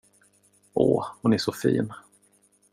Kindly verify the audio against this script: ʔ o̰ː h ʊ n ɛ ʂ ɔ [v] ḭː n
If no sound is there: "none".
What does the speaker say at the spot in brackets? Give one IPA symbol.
f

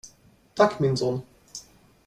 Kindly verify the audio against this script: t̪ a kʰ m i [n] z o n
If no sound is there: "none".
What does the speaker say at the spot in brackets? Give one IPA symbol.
n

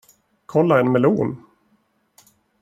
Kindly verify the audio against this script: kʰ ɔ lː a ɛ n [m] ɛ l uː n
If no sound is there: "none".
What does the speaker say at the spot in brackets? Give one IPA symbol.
m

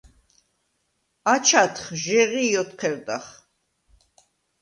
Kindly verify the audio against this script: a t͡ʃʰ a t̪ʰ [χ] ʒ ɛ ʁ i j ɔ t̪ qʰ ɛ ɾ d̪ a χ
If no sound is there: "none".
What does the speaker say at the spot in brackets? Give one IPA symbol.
χ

